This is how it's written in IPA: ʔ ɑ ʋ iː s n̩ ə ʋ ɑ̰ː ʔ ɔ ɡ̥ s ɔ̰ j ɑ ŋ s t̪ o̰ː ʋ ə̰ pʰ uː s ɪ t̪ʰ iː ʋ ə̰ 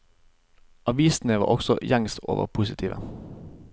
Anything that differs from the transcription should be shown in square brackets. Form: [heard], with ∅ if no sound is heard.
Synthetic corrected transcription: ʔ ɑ ʋ iː s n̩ ə ʋ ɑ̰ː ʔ ɔ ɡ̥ s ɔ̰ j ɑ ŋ s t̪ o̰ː ʋ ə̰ pʰ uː s ɪ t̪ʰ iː ʋ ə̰